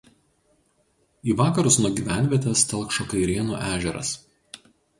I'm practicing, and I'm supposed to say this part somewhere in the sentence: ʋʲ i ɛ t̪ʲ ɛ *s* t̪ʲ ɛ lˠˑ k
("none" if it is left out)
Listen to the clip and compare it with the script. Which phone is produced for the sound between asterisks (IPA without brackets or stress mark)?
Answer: s